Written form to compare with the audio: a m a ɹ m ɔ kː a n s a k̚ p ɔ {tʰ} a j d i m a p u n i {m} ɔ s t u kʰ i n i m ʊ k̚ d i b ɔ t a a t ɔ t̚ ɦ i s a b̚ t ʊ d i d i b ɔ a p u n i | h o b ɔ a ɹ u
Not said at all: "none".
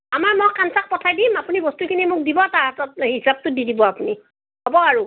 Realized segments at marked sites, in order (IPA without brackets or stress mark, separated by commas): tʰ, b